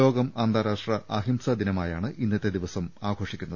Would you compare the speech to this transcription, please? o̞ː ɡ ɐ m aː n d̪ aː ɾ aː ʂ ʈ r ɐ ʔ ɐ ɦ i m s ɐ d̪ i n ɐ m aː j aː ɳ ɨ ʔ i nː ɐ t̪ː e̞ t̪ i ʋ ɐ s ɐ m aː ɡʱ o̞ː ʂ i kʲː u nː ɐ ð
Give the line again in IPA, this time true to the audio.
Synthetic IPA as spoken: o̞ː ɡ ɐ m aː n d̪ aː ɾ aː ʂ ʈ r ɐ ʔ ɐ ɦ i m s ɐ d̪ i n ɐ m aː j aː ɳ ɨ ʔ i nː ɐ t̪ː e̞ d̪ i ʋ ɐ s ɐ m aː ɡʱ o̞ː ʂ i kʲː u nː ɐ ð